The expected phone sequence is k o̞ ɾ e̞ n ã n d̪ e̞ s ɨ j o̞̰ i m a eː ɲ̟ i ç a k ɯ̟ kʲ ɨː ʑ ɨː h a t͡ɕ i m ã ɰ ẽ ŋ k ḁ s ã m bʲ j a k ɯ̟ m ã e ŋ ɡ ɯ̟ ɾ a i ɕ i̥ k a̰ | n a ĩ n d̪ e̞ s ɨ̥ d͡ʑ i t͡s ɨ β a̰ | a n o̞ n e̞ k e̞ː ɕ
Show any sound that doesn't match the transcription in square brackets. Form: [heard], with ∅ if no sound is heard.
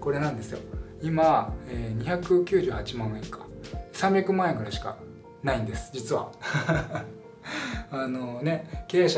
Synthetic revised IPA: k o̞ ɾ e̞ n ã n d̪ e̞ s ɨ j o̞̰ i m a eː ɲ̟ i ç a k ɯ̟ kʲ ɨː ʑ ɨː h a t͡ɕ i m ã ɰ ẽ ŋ k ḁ s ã m bʲ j a k ɯ̟ m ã e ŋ ɡ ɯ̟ ɾ a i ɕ i̥ k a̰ | n a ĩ n d̪ e̞ s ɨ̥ d͡ʑ i t͡s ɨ β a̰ | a n o̞ n e̞ k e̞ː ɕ

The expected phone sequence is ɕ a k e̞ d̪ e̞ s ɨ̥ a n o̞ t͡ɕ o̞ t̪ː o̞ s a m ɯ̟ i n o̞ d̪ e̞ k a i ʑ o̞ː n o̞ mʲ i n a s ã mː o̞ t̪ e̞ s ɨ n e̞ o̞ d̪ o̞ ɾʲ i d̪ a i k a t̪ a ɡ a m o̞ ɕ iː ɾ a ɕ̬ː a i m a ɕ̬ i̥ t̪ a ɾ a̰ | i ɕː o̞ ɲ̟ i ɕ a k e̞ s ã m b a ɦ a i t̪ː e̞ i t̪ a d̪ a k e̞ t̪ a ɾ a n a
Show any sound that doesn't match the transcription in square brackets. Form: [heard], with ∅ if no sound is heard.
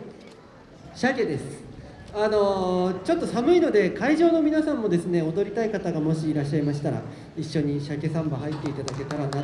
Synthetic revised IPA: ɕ a k e̞ d̪ e̞ s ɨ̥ a n o̞ t͡ɕ o̞ t̪ː o̞ s a m ɯ̟ i n o̞ d̪ e̞ k a i ʑ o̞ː n o̞ mʲ i n a s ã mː o̞ [d̪] e̞ s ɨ n e̞ o̞ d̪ o̞ ɾʲ i [t̪] a i k a t̪ a ɡ a m o̞ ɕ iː ɾ a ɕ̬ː a i m a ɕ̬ i̥ t̪ a ɾ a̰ | i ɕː o̞ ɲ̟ i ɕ a k e̞ s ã m b a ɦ a i t̪ː e̞ i t̪ a d̪ a k e̞ t̪ a ɾ a n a

